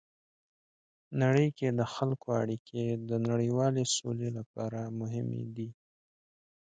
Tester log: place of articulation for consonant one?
alveolar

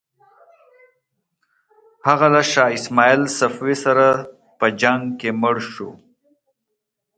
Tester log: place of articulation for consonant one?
glottal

